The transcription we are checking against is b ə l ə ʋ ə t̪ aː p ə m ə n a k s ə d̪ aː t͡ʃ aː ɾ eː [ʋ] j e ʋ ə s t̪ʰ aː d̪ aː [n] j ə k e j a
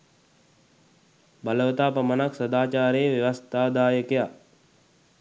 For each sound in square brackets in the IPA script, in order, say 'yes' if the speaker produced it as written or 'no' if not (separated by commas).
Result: yes, no